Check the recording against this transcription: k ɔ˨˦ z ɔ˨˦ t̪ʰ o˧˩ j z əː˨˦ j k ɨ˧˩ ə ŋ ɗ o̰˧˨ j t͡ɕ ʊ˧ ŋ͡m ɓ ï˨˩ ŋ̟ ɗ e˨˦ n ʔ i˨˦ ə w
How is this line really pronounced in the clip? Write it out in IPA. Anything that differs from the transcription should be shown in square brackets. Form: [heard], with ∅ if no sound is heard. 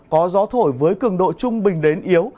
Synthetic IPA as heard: k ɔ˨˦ z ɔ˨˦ t̪ʰ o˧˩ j [v] əː˨˦ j k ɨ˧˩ ə ŋ ɗ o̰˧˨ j t͡ɕ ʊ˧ ŋ͡m ɓ ï˨˩ ŋ̟ ɗ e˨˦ n ʔ i˨˦ ə w